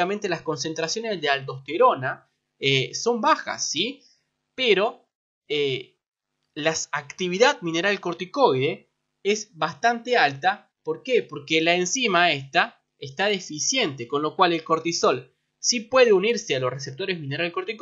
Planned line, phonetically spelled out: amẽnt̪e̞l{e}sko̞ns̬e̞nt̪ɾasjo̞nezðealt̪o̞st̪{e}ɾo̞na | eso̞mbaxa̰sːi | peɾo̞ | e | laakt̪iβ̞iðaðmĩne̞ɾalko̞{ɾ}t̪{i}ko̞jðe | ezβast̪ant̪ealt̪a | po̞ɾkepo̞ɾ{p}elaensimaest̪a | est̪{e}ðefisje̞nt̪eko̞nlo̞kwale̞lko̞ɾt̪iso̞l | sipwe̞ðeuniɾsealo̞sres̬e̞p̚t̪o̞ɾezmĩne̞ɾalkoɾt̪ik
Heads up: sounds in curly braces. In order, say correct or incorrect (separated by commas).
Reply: incorrect, correct, correct, correct, incorrect, incorrect